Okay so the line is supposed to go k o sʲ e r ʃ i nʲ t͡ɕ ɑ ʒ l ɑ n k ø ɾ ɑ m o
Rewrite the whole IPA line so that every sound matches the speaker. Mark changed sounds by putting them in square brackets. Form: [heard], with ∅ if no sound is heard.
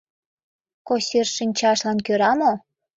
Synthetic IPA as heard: k o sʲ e r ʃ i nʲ t͡ɕ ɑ [ʃ] l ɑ n k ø ɾ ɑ m o